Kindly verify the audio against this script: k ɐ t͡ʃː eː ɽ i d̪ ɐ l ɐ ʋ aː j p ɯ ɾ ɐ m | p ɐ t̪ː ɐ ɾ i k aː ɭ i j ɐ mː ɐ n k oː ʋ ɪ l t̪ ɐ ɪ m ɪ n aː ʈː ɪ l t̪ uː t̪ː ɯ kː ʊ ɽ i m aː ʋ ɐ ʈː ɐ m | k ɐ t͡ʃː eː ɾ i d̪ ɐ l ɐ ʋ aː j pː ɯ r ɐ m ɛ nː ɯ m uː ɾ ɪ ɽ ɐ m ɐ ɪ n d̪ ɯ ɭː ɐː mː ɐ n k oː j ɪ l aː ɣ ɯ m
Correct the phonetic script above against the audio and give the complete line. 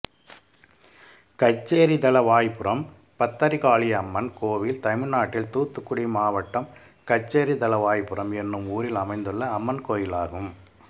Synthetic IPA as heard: k ɐ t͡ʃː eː ɾ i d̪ ɐ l ɐ ʋ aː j p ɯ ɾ ɐ m | p ɐ t̪ː ɐ ɾ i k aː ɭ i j ɐ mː ɐ n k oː ʋ ɪ l t̪ ɐ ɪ m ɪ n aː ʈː ɪ l t̪ uː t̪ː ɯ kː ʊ ɽ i m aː ʋ ɐ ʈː ɐ m | k ɐ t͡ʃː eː ɾ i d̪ ɐ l ɐ ʋ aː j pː ɯ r ɐ m ɛ nː ɯ m uː ɾ ɪ l ɐ m ɐ ɪ n d̪ ɯ ɭː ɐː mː ɐ n k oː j ɪ l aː ɣ ɯ m